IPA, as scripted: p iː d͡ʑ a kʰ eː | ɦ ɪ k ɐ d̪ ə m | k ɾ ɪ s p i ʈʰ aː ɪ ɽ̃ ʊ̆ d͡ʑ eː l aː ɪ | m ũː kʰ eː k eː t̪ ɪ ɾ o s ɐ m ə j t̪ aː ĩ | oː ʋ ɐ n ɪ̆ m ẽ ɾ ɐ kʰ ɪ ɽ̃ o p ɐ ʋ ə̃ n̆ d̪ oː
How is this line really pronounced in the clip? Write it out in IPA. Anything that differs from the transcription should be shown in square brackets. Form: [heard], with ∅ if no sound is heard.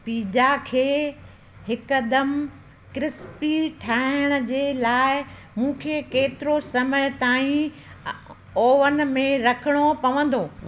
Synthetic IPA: p iː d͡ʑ a kʰ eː | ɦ ɪ k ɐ d̪ ə m | k ɾ ɪ s p i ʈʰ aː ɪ ɽ̃ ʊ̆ d͡ʑ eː l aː ɪ | m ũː kʰ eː k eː t̪ ɪ ɾ o s ɐ m ə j t̪ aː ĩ | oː ʋ [ə] n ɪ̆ m ẽ ɾ ɐ kʰ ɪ ɽ̃ o p ɐ ʋ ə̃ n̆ d̪ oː